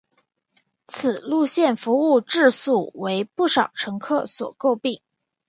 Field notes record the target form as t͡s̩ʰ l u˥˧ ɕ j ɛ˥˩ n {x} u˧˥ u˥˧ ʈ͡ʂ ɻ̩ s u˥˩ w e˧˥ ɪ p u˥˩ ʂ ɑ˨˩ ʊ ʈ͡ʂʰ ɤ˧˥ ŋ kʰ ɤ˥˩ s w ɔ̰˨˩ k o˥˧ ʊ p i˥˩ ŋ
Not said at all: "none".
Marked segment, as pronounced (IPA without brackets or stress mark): f